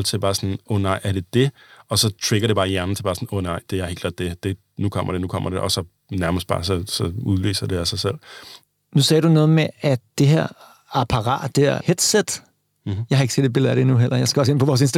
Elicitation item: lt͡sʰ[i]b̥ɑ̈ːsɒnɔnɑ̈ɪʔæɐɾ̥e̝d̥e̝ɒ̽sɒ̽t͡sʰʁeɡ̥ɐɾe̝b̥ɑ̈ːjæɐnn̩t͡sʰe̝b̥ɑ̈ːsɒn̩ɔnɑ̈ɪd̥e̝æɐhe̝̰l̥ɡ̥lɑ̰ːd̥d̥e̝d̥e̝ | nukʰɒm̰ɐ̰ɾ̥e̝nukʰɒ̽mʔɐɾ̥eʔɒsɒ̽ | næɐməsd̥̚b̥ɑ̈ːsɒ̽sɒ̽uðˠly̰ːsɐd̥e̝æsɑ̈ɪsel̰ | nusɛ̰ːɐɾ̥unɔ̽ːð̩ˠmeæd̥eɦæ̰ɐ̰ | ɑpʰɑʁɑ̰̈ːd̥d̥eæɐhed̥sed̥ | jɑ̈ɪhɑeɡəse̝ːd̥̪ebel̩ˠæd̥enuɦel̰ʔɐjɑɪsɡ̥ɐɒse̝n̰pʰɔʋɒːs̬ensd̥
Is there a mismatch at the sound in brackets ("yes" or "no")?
yes